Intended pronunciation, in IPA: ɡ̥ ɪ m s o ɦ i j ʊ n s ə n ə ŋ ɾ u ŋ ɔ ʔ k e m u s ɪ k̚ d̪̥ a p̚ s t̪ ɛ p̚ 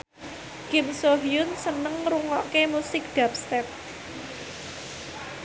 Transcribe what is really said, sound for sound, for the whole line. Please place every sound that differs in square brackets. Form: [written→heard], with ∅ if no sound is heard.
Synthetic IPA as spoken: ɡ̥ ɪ m s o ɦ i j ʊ n s ə n ə ŋ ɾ u ŋ ɔ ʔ k e m u s ɪ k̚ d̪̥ a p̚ s t̪ ɛ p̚